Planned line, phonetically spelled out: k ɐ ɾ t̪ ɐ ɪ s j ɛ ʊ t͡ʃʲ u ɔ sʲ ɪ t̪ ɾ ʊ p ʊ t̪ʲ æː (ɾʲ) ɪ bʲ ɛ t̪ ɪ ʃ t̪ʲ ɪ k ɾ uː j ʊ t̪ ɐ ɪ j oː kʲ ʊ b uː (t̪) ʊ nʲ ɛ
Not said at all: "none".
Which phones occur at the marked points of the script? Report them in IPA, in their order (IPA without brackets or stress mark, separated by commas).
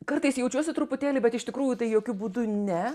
lʲ, d̪